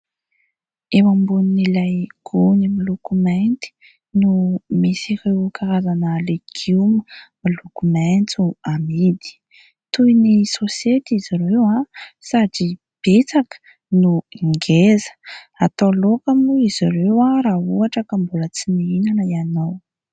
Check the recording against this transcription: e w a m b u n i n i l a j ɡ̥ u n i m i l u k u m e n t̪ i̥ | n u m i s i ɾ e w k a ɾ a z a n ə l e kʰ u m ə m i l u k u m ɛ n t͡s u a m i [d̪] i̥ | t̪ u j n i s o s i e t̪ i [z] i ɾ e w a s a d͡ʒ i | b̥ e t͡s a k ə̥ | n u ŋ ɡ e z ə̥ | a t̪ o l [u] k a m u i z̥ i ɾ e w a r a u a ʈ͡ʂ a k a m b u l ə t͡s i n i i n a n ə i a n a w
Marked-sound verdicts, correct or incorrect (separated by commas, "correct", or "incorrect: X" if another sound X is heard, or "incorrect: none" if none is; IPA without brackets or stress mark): correct, correct, incorrect: o